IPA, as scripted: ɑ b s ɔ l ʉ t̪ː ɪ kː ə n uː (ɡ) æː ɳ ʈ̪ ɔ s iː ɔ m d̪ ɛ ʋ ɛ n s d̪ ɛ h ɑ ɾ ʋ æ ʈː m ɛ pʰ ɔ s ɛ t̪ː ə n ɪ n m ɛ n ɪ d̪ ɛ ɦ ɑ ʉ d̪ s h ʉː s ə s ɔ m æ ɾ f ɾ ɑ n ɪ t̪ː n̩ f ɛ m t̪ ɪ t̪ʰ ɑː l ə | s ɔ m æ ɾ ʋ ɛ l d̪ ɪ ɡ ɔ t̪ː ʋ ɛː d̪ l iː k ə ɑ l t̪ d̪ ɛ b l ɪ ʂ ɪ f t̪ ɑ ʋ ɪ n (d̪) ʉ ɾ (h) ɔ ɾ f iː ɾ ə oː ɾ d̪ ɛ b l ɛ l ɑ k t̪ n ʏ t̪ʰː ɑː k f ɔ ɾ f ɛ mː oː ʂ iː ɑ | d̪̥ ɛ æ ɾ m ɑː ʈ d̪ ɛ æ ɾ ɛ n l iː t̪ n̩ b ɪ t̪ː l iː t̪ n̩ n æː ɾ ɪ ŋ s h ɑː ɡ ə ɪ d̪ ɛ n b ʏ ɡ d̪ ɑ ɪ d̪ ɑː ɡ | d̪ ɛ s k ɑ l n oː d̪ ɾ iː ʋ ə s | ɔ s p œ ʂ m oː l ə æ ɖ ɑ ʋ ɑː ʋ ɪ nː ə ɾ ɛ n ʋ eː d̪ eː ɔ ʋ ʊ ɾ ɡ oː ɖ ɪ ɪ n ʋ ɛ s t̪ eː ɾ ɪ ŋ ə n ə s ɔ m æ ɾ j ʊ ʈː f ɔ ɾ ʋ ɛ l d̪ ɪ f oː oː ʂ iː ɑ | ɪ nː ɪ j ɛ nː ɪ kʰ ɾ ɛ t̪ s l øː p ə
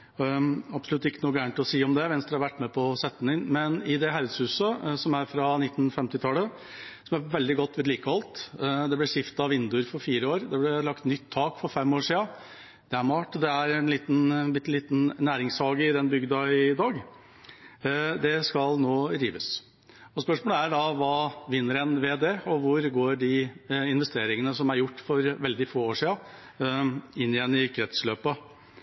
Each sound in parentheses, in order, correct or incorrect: correct, correct, incorrect

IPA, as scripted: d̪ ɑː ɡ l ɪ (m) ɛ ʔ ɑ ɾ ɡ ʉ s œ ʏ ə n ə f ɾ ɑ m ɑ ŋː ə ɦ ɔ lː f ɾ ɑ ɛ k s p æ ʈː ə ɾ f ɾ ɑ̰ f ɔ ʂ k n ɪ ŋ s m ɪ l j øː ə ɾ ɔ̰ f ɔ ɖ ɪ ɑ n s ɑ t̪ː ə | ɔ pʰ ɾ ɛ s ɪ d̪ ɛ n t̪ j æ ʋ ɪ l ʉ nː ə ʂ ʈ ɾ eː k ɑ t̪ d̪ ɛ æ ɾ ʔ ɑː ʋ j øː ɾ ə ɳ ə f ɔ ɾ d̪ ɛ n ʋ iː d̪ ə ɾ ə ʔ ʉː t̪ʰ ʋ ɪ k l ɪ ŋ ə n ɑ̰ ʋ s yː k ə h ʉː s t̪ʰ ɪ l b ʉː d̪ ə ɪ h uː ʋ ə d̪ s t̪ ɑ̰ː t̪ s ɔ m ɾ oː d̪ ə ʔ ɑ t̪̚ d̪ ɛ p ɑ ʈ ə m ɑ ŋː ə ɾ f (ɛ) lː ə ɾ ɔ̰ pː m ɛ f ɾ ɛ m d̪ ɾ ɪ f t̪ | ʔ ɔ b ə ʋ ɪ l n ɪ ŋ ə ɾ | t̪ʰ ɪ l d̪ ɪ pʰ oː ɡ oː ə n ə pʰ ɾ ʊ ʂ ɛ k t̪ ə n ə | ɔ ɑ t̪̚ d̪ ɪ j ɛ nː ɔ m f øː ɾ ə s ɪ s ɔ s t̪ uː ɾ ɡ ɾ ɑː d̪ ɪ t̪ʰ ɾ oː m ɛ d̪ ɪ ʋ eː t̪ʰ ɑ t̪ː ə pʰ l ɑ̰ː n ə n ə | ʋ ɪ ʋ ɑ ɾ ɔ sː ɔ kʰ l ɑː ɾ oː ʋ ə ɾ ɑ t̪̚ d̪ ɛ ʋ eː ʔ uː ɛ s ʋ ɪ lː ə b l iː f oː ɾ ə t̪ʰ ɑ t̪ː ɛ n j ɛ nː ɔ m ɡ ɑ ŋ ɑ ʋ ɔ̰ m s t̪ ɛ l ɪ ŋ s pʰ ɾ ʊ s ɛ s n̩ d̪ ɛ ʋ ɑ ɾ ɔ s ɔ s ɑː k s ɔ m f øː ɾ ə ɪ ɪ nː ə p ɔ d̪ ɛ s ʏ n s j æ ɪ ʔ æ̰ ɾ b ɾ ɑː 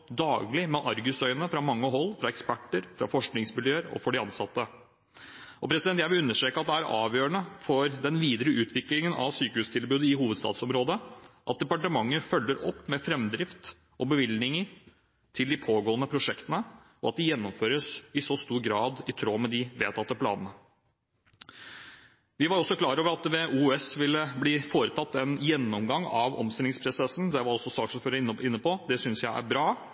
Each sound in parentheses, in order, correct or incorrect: correct, incorrect

